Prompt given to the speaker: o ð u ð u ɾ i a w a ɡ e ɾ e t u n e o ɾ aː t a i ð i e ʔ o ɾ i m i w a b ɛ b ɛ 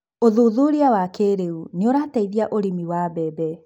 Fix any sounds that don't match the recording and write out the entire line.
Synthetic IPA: o ð u ð u ɾ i a w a k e ɾ e u n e o ɾ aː t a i ð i a ʔ o ɾ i m i w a b ɛ b ɛ